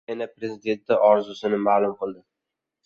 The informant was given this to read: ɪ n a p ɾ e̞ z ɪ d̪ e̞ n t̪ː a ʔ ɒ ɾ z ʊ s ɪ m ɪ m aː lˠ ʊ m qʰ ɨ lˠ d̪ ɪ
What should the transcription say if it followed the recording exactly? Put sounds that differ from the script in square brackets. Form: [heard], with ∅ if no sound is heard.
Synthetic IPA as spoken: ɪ n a p ɾ e̞ z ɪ d̪ e̞ n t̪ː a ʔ ɒ ɾ z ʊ s ɪ [n] ɪ m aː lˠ ʊ m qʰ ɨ lˠ d̪ ɪ